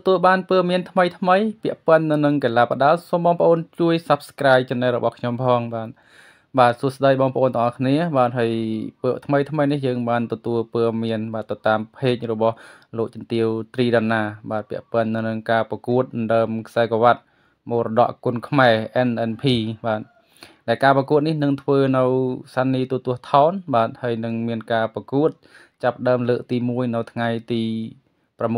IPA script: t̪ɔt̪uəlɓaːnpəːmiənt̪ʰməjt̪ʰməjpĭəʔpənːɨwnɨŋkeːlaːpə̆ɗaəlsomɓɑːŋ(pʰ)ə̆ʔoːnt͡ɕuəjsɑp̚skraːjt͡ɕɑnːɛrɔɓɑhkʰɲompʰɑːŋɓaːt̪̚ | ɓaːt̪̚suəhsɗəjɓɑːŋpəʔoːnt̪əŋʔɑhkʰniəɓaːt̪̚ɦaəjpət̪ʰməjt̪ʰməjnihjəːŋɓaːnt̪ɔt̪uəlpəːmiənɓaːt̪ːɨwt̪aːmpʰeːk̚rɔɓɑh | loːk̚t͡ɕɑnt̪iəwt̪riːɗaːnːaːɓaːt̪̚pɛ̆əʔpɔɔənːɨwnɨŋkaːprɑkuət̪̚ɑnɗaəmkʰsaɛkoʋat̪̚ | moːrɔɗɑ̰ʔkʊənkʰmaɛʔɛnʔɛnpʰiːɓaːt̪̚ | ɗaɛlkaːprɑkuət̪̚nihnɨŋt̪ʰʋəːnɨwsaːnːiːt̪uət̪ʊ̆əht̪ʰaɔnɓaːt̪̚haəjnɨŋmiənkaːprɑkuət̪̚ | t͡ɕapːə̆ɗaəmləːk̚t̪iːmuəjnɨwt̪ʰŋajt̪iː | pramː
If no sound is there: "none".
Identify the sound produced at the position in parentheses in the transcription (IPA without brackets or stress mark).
p